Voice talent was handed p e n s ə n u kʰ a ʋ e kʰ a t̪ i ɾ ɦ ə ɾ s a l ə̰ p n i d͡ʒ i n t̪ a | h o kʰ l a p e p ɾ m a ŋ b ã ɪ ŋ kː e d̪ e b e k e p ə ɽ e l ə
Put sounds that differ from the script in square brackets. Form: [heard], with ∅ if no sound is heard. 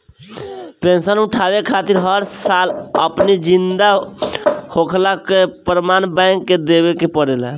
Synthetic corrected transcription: p e n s ə n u [ʈʰ] a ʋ e kʰ a t̪ i ɾ ɦ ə ɾ s a l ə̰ p n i d͡ʒ i n [d̪] a | h o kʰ l a [k] e p ɾ m a [n] b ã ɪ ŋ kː e d̪ e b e k e p ə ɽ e l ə